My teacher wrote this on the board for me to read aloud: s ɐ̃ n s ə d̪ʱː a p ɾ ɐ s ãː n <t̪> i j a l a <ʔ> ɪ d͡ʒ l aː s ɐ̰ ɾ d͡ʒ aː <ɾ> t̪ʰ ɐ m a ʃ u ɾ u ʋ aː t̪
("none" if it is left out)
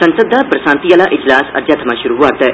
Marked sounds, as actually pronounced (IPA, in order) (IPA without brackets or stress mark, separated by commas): t̪, ʔ, none